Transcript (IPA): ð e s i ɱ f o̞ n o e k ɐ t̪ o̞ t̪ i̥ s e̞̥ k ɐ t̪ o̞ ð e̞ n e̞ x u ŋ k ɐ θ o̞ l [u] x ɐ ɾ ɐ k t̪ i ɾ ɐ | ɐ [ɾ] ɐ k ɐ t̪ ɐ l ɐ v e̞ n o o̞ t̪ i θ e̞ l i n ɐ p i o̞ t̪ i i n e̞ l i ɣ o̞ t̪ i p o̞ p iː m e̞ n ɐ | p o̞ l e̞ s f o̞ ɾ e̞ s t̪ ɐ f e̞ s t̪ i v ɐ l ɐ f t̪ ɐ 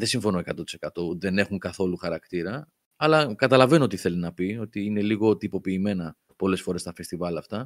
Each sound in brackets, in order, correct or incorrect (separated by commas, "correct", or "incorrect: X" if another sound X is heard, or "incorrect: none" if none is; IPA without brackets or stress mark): correct, incorrect: l